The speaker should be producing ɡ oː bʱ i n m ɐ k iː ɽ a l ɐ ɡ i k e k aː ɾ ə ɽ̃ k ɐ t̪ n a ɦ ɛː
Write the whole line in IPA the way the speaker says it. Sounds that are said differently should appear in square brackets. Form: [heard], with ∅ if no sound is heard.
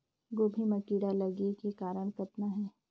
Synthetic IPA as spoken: ɡ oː bʱ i [∅] m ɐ k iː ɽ a l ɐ ɡ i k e k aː ɾ ə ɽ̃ k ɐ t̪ n a ɦ ɛː